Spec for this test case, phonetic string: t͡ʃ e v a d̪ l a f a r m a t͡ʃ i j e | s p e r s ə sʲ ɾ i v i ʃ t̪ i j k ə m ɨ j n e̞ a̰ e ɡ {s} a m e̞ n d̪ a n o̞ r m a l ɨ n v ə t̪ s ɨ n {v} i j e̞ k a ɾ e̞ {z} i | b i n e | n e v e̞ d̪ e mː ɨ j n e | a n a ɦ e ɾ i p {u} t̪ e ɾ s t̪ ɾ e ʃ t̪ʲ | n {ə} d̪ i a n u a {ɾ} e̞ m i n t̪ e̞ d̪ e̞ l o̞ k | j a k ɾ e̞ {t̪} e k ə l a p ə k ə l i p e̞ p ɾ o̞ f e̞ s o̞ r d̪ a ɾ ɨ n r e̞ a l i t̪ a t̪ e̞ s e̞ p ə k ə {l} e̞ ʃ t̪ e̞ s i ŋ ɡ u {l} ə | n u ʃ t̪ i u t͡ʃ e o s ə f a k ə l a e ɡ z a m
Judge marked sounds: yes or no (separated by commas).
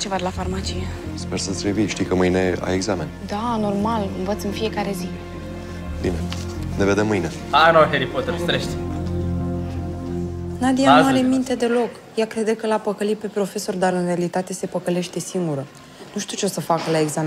no, no, yes, no, no, yes, no, yes, no